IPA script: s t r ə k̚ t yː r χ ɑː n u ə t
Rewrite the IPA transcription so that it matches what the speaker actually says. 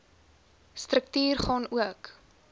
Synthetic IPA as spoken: s t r ə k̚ t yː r χ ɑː n u ə k